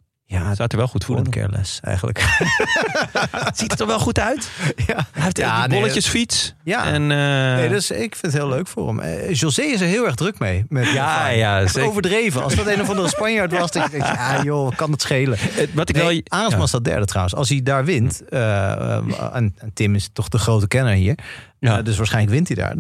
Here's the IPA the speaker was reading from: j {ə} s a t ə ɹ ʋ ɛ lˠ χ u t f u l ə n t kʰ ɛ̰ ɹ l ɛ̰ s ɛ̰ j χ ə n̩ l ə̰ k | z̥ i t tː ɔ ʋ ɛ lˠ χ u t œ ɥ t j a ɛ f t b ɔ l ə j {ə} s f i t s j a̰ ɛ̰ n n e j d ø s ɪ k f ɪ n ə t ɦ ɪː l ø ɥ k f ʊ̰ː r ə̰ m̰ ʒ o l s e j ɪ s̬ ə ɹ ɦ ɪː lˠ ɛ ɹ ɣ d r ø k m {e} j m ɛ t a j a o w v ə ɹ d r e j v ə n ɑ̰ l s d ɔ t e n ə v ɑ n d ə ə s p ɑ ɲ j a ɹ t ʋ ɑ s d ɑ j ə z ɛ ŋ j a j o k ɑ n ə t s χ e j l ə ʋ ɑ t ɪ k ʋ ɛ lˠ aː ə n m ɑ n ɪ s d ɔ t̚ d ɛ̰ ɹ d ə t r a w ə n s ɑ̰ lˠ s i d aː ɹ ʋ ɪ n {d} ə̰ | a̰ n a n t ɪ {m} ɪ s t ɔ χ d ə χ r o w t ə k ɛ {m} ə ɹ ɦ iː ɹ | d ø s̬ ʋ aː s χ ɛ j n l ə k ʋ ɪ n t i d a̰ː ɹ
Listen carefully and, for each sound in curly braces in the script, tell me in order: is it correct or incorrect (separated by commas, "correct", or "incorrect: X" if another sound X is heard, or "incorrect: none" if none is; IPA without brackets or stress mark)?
incorrect: a, correct, correct, incorrect: t, correct, incorrect: n